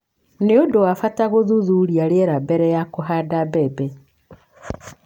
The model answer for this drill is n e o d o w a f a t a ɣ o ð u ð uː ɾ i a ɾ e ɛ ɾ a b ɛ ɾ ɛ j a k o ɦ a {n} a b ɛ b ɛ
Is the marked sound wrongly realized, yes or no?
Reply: yes